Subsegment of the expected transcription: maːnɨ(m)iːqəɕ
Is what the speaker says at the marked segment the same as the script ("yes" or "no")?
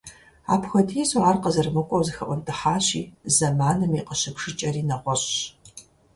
yes